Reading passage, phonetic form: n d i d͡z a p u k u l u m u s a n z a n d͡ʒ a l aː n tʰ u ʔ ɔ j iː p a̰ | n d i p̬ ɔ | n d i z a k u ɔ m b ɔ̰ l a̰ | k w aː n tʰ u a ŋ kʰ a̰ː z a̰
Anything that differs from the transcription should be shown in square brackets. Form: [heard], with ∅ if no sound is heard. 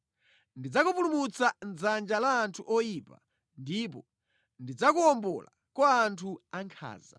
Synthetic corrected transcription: n d i d͡z a [k] u [p] u l u m u [t͡s] a n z a n d͡ʒ a l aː n tʰ u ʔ ɔ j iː p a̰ | n d i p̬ ɔ | n d i [d͡z] a k u ɔ m b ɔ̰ l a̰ | k w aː n tʰ u a ŋ kʰ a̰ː z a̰